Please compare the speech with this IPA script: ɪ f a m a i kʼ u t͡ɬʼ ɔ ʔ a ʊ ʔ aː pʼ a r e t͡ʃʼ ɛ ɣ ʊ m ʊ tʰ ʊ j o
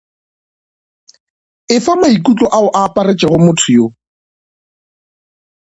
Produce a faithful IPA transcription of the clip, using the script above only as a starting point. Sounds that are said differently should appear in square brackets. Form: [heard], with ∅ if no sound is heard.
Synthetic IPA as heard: ɪ f a m a i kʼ u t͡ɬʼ ɔ ʔ a ʊ ʔ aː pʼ a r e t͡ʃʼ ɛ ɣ ʊ m ʊ tʰ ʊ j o